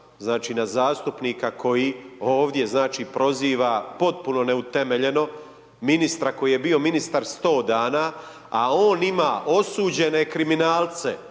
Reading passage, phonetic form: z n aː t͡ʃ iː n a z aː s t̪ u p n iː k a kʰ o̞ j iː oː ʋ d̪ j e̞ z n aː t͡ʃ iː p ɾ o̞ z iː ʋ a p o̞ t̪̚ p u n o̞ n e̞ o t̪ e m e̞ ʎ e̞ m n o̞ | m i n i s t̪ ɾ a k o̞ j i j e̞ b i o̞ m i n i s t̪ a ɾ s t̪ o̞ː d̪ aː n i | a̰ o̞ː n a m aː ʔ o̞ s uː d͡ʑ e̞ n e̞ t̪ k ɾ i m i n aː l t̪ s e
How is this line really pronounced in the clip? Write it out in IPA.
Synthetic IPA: z n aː t͡ʃ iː n a z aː s t̪ u p n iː k a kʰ o̞ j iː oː ʋ d̪ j e̞ z n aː t͡ʃ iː p ɾ o̞ z iː ʋ a p o̞ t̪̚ p u n o̞ n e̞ u t̪ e m e̞ ʎ e̞ n o̞ | m i n i s t̪ ɾ a k o̞ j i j e̞ b i o̞ m i n i s t̪ a ɾ s t̪ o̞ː d̪ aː n a | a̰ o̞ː n i m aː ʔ o̞ s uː d͡ʑ e̞ n e̞ k ɾ i m i n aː l t̪ s e